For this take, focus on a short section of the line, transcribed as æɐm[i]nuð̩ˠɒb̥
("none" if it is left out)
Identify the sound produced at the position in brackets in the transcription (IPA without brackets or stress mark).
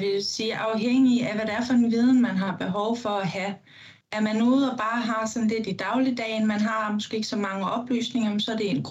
æ